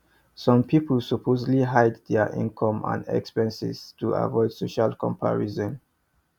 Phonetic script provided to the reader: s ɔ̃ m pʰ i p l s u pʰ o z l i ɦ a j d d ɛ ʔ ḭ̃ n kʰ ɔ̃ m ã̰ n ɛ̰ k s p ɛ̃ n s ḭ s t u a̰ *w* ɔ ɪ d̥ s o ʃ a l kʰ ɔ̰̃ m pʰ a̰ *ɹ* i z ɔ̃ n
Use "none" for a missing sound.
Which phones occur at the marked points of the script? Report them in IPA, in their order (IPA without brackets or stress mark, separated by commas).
v, ɹ